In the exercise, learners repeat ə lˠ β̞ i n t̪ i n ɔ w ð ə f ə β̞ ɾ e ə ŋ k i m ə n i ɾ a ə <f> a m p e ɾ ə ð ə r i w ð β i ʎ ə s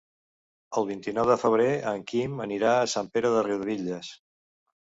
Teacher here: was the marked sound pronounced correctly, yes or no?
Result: no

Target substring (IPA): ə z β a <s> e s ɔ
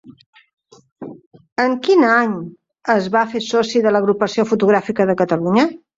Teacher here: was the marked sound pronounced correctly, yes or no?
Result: no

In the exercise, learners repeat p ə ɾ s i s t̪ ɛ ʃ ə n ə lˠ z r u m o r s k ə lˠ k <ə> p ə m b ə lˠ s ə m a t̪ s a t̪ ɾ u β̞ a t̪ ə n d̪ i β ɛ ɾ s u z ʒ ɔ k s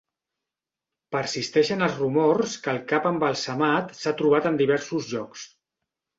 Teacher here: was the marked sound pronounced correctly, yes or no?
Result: no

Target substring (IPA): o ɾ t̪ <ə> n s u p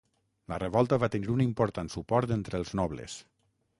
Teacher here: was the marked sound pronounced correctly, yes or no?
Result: no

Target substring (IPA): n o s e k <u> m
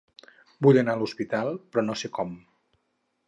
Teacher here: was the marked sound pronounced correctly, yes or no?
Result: no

